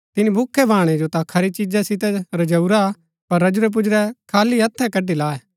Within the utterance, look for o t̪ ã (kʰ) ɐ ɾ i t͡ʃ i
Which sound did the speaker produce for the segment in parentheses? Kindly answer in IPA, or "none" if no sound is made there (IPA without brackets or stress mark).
kʰ